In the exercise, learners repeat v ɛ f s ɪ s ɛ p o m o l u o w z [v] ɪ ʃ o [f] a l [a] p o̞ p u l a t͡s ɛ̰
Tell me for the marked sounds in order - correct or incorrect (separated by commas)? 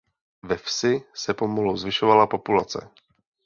correct, incorrect, correct